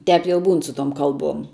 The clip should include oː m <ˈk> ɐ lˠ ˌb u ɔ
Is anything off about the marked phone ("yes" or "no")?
no